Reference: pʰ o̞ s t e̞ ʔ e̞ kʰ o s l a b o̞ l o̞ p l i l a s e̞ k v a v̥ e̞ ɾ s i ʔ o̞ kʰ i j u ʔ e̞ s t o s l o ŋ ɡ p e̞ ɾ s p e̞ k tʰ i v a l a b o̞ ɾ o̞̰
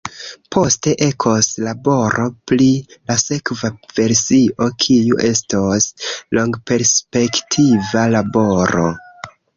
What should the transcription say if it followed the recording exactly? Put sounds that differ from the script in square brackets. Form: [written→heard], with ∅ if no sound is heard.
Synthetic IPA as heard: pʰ o̞ s t e̞ ʔ e̞ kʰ o s l a b o̞ [l→ɾ] o̞ p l i l a s e̞ k v a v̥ e̞ ɾ s i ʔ o̞ kʰ i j u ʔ e̞ s t o s l o ŋ ɡ p e̞ ɾ s p e̞ k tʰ i v a l a b o̞ ɾ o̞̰

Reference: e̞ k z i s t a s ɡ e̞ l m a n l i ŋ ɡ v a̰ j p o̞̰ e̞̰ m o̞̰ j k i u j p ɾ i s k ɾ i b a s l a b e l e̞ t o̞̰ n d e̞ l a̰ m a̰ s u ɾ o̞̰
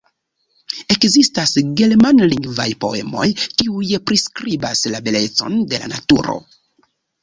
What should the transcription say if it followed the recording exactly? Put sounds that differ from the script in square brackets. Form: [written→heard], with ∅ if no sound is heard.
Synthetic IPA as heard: e̞ k z i s t a s ɡ e̞ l m a n l i ŋ ɡ v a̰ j p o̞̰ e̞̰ m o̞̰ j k i u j p ɾ i s k ɾ i b a s l a b e l e̞ [t→t͡s] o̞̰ n d e̞ l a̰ [m→n] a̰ [s→t] u ɾ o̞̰

